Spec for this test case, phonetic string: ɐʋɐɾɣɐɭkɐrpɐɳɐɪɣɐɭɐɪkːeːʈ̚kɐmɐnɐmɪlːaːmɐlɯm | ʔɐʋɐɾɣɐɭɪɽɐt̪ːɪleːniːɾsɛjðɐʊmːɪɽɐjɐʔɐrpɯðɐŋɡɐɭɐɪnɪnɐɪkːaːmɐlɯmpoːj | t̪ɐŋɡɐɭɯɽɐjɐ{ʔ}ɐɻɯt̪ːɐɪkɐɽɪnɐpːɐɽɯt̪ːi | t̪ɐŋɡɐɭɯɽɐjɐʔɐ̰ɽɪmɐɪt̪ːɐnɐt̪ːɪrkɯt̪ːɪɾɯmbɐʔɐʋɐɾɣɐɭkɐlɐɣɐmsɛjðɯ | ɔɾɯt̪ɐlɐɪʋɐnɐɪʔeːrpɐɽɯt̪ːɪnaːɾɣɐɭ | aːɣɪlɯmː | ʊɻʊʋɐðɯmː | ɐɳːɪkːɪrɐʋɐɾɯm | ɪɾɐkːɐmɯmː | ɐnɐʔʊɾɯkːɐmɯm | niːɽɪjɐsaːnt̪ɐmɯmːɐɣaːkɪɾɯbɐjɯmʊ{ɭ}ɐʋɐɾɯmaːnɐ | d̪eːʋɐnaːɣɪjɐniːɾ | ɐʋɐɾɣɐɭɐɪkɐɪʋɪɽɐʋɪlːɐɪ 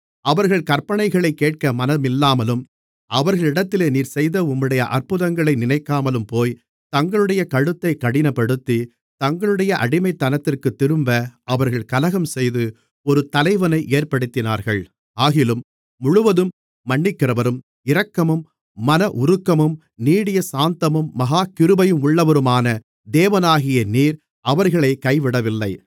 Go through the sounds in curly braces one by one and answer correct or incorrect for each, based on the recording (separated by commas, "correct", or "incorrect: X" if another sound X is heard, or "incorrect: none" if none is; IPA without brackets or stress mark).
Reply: incorrect: k, incorrect: ɭː